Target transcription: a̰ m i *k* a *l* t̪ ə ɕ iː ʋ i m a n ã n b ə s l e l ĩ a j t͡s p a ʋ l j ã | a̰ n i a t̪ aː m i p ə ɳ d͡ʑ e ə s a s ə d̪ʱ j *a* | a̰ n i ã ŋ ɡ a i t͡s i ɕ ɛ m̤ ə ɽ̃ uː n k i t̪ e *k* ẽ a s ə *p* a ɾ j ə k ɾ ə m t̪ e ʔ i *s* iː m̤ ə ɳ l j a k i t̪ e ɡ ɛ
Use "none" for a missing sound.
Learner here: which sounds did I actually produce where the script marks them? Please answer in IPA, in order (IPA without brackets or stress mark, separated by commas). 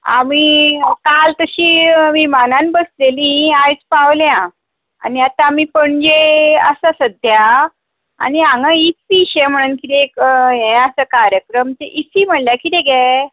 k, l, a, k, k, s